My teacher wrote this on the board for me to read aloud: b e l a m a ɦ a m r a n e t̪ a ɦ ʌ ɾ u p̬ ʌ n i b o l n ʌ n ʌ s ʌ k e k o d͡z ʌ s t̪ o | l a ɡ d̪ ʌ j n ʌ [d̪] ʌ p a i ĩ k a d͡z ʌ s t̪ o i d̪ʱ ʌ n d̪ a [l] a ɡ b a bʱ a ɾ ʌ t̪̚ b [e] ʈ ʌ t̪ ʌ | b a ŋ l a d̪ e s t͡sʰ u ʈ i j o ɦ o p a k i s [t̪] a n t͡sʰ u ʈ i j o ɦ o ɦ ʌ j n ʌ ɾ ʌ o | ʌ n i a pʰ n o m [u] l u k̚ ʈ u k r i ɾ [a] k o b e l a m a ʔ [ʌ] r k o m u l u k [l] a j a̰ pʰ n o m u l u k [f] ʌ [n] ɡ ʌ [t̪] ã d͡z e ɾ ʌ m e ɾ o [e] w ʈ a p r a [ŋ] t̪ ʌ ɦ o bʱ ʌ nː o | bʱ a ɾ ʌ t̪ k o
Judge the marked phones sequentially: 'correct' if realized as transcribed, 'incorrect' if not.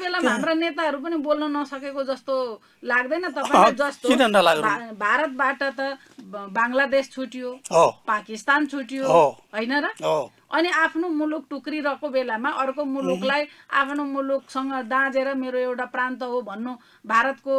incorrect, correct, incorrect, correct, correct, incorrect, correct, correct, incorrect, incorrect, incorrect, correct, incorrect

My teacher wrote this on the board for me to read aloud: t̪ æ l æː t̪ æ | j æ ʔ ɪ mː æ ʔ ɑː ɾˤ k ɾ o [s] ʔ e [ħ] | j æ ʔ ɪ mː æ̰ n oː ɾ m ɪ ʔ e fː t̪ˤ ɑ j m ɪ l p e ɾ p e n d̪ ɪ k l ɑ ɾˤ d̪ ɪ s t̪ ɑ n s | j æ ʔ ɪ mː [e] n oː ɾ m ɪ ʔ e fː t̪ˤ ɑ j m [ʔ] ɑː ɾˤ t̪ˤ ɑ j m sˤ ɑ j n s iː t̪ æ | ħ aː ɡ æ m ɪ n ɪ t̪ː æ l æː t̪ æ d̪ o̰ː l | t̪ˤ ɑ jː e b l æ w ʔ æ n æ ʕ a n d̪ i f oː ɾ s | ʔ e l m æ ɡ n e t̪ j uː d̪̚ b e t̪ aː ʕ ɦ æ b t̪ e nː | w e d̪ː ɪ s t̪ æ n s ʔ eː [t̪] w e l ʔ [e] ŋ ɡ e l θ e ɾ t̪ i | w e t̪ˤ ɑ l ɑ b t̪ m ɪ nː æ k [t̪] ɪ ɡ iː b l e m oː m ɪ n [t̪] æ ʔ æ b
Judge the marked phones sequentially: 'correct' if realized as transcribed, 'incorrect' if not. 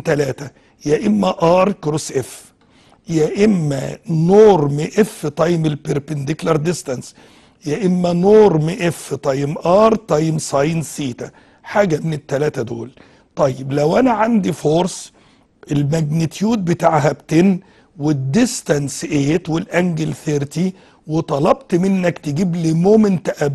correct, incorrect, incorrect, correct, correct, incorrect, correct, correct

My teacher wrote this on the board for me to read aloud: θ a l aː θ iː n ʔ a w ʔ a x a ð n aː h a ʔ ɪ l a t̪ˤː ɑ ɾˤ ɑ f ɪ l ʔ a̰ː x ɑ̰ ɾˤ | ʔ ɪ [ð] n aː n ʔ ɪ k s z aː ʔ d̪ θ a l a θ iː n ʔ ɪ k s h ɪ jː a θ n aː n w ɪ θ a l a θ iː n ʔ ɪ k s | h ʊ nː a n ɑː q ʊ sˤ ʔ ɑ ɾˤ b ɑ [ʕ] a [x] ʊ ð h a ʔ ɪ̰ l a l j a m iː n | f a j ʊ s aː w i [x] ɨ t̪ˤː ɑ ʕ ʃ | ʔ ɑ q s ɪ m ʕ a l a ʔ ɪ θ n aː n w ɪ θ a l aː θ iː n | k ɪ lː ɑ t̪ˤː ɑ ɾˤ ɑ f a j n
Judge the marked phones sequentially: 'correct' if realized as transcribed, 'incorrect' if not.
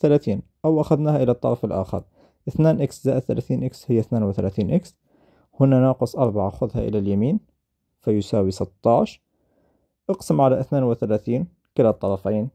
incorrect, correct, correct, incorrect

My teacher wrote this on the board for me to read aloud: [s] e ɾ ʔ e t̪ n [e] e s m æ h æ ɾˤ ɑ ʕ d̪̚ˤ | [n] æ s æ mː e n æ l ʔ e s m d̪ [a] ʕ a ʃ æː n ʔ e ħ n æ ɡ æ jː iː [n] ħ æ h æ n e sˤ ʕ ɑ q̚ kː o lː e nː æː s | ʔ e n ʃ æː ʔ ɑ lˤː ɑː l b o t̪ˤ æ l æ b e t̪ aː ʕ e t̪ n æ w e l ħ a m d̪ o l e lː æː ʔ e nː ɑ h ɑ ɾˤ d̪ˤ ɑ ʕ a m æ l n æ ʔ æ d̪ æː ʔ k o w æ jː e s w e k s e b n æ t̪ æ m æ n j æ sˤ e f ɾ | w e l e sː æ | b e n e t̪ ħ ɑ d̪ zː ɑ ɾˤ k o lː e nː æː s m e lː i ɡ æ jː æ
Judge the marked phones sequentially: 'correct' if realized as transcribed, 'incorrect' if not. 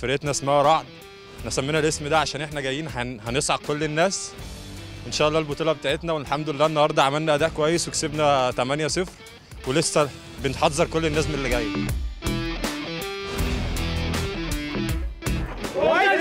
incorrect, incorrect, correct, incorrect, correct

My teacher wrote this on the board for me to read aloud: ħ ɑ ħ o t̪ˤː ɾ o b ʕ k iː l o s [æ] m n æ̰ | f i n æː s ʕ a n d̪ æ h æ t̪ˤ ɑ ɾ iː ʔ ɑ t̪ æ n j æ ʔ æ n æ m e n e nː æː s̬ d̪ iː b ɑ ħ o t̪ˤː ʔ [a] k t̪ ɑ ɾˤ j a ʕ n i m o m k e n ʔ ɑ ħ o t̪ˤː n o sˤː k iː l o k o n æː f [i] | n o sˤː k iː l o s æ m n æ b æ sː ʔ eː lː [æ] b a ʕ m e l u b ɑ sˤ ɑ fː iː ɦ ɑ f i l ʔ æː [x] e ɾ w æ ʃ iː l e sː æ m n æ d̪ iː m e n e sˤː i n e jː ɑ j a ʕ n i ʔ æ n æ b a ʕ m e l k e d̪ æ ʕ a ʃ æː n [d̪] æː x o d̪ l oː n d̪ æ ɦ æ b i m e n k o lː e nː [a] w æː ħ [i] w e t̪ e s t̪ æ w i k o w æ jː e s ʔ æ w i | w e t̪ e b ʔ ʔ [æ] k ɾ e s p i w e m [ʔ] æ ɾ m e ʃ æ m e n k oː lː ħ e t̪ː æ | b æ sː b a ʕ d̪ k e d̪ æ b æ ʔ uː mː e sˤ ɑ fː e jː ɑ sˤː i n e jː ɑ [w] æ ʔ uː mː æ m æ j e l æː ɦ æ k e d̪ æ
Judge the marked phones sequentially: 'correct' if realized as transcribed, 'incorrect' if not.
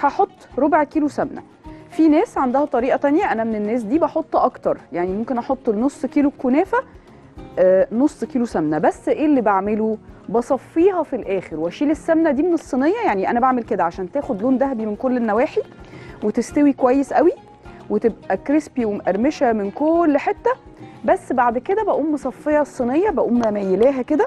correct, incorrect, incorrect, incorrect, correct, incorrect, incorrect, correct, correct, correct, incorrect

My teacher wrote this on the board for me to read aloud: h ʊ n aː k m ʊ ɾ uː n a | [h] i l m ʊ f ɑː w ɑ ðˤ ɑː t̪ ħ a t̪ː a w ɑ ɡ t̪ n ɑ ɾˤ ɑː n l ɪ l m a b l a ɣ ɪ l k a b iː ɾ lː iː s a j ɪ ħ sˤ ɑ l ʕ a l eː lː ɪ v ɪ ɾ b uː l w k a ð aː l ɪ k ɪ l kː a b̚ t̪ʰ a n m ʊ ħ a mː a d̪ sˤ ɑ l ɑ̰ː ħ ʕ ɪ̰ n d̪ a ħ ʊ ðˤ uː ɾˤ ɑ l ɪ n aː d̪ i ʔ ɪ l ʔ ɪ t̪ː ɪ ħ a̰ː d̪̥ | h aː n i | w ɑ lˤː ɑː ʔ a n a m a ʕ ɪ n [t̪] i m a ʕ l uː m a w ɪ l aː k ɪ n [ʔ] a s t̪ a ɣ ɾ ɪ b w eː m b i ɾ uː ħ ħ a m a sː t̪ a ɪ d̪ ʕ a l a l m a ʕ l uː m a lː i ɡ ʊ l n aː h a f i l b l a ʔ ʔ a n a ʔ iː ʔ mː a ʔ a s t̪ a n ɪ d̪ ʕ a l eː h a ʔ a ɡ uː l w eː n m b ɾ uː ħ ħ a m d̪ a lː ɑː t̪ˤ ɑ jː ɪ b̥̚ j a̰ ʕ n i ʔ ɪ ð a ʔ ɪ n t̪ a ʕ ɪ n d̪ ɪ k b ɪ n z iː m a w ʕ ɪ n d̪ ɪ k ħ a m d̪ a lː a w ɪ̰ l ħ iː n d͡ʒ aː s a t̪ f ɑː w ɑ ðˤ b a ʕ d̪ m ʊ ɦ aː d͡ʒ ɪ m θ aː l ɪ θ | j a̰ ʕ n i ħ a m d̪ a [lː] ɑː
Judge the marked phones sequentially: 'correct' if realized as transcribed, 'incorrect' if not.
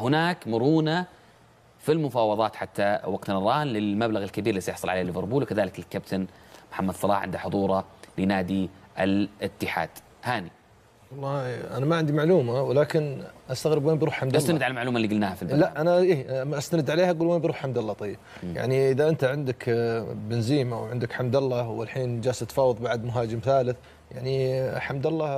incorrect, incorrect, correct, correct

